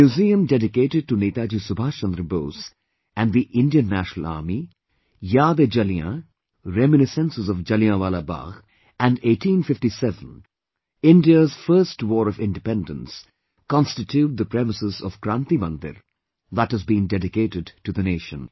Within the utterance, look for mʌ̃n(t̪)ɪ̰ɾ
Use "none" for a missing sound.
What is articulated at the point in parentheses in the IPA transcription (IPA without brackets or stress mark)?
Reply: d̪